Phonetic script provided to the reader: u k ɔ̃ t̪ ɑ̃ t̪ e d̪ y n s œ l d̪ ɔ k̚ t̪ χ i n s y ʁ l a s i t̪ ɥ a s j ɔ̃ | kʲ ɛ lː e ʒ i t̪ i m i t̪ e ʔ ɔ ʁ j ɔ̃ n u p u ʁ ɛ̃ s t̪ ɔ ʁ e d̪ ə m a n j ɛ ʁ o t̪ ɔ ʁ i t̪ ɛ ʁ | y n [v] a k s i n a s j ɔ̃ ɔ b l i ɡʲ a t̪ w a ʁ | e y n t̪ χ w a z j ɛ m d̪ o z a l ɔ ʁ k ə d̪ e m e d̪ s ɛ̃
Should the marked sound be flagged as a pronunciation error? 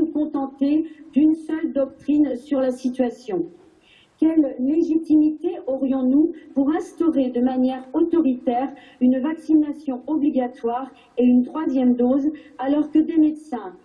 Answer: no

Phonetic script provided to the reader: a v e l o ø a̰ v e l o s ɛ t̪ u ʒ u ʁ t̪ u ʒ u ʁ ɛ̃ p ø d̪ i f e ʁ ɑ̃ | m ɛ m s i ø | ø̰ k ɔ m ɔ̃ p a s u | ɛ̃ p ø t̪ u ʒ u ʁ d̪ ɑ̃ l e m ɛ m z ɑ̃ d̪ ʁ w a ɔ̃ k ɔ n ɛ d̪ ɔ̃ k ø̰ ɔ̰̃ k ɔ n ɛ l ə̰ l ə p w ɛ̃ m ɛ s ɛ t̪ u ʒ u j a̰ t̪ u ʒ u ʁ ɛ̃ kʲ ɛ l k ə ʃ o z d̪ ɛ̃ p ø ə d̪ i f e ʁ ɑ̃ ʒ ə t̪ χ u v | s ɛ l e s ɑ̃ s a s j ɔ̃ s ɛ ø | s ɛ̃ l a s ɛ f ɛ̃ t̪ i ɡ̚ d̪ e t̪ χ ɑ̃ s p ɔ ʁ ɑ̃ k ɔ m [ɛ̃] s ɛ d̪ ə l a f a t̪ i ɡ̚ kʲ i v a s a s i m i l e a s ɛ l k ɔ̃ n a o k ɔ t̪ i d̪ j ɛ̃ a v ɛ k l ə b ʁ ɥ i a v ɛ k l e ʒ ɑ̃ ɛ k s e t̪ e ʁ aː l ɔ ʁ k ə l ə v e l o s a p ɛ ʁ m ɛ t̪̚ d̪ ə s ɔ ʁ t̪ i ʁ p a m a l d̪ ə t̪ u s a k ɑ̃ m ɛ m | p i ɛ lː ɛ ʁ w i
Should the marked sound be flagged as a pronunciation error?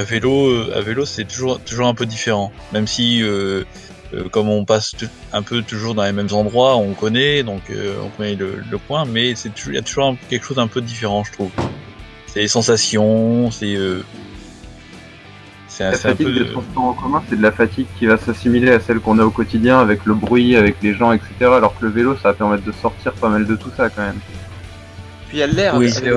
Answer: no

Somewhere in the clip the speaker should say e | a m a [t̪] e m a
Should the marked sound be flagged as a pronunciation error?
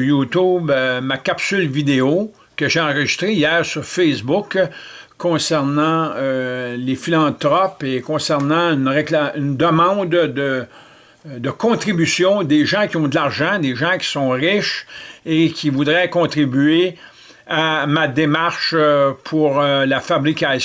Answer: yes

